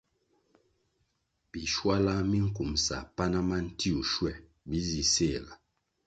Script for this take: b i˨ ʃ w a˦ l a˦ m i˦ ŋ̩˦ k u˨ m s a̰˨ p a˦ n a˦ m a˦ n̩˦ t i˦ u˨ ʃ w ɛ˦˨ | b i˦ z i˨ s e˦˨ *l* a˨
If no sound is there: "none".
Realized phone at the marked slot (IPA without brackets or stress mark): l